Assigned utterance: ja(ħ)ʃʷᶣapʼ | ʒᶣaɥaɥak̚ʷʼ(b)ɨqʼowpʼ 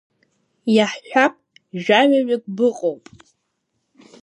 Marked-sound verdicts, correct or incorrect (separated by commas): correct, correct